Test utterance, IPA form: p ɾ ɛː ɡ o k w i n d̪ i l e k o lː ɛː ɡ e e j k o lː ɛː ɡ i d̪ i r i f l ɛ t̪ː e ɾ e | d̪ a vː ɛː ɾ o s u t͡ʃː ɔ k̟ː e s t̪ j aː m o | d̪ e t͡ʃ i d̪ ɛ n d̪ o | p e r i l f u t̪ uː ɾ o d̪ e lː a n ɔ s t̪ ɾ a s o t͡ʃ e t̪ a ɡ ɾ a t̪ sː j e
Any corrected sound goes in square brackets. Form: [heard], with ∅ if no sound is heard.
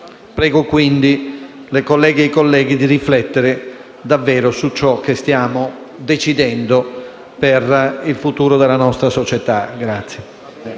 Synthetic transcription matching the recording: p ɾ ɛː ɡ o k w i n d̪ i l e k o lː ɛː ɡ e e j k o lː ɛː ɡ i d̪ i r i f l ɛ t̪ː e ɾ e | d̪ a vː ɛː ɾ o s u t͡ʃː ɔ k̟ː e s t̪ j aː m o | d̪ e t͡ʃ i d̪ ɛ n d̪ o | p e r i l f u t̪ uː ɾ o d̪ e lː a n ɔ s t̪ ɾ a s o t͡ʃ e t̪ a ɡ ɾ a t̪ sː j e